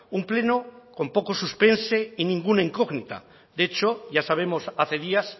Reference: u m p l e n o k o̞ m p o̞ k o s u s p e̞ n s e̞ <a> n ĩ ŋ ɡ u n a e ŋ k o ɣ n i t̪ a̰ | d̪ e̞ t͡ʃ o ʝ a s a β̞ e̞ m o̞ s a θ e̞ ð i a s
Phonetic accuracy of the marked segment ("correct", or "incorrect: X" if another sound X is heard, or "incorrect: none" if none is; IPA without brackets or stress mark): incorrect: i